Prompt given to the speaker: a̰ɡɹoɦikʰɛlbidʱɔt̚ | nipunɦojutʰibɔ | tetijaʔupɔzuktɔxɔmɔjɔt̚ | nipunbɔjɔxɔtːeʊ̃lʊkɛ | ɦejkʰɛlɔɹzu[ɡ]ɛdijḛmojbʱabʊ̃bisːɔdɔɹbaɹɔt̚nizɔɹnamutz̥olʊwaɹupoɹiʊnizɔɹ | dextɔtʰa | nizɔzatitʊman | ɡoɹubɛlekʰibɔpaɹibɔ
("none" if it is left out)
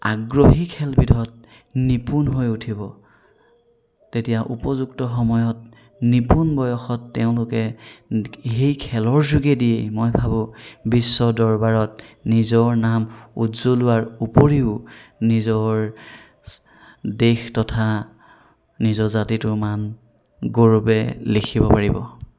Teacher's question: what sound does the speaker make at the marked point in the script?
ɡ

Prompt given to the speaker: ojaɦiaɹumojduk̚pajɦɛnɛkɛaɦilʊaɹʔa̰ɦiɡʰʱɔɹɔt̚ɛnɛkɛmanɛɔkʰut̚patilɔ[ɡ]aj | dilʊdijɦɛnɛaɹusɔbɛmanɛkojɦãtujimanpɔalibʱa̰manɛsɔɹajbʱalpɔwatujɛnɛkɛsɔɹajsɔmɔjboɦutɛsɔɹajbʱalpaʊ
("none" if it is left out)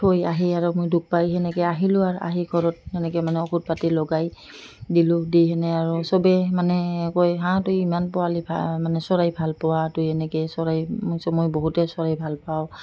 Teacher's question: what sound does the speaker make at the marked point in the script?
ɡ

